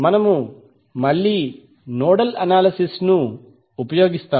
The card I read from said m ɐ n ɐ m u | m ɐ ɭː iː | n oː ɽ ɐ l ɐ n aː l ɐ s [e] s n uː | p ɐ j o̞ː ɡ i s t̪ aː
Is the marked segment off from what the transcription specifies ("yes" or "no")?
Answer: yes